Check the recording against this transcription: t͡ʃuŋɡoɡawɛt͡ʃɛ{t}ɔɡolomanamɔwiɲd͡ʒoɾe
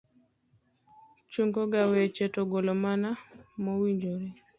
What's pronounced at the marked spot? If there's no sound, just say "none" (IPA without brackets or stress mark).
t